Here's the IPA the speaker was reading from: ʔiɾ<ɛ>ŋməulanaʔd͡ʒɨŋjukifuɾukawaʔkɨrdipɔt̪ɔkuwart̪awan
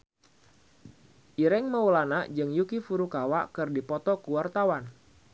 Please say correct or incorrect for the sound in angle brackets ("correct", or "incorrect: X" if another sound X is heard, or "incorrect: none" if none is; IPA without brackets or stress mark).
correct